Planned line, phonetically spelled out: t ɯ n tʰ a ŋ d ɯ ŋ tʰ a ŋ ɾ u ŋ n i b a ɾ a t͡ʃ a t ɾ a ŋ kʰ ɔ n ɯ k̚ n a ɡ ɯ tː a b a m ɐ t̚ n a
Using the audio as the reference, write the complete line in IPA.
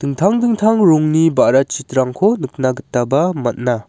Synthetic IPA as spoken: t ɯ ŋ tʰ a ŋ d ɯ ŋ tʰ a ŋ ɾ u ŋ n i b a ɾ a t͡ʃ i t ɾ a ŋ kʰ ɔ n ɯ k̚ n a ɡ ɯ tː a b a m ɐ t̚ n a